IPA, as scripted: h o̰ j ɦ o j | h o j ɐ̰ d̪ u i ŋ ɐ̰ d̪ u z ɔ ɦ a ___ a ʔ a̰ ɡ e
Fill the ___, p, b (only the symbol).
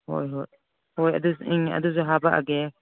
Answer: b